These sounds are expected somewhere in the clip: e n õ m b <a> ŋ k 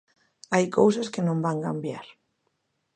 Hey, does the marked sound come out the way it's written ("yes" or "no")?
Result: yes